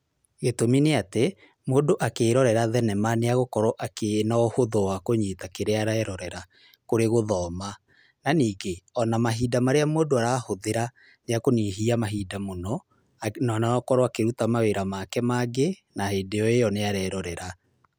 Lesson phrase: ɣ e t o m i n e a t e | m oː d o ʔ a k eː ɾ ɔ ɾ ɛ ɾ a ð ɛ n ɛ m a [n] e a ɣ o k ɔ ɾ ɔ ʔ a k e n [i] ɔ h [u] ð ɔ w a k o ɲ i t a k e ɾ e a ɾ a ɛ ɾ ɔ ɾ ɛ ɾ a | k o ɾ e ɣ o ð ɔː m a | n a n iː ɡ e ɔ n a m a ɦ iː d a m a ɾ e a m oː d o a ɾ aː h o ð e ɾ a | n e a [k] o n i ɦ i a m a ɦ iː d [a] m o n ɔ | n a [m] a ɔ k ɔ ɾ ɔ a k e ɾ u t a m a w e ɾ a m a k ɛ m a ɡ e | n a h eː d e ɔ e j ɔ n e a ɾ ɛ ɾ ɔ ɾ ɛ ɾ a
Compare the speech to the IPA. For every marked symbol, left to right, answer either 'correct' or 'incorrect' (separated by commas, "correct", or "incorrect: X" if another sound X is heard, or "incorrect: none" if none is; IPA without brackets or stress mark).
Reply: correct, incorrect: a, incorrect: o, correct, correct, incorrect: n